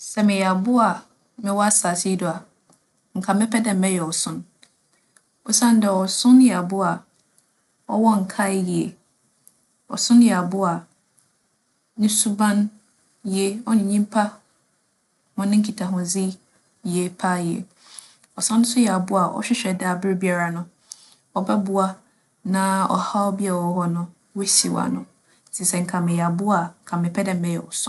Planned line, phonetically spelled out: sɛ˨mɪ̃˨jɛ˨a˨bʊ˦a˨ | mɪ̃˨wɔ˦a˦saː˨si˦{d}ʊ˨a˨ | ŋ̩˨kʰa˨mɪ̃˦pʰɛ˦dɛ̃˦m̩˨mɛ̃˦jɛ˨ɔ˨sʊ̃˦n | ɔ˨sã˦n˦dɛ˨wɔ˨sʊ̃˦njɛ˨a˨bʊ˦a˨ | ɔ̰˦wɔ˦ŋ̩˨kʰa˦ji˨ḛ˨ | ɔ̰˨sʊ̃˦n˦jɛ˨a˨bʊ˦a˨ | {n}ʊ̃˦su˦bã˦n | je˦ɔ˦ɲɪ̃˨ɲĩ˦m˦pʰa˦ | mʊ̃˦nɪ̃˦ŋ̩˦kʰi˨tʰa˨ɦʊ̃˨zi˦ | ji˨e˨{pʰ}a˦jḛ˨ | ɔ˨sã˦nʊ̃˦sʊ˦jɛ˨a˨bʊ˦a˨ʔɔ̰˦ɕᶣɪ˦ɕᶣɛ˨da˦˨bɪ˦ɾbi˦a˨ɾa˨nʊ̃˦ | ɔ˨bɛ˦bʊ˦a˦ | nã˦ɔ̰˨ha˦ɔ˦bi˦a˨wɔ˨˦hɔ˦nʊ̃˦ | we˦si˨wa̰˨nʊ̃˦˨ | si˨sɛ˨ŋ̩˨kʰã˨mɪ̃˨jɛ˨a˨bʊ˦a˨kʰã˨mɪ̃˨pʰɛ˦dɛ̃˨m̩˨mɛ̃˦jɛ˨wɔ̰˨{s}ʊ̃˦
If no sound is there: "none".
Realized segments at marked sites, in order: d, n, pʰ, s

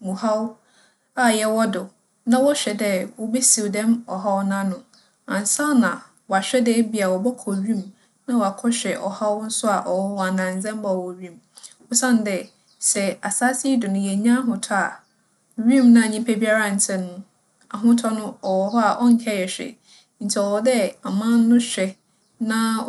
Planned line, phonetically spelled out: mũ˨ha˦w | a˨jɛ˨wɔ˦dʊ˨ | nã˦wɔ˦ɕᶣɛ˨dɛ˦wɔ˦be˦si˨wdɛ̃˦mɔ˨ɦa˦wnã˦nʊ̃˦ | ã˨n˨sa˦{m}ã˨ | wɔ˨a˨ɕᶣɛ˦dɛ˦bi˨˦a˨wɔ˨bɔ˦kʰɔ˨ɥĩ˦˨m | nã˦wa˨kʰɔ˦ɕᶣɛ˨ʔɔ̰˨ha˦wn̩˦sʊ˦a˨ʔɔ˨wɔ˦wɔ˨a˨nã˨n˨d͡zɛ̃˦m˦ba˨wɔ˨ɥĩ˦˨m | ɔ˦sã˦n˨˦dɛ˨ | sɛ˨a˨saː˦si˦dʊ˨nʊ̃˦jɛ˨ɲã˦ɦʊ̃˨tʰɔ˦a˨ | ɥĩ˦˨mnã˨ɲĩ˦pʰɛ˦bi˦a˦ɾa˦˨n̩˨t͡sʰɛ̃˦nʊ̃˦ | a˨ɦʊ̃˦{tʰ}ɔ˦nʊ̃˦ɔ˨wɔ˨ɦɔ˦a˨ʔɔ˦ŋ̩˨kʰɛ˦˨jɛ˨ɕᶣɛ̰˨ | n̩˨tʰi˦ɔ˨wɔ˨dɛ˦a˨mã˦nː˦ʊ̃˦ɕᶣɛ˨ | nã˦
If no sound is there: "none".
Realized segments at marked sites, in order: n, tʰ

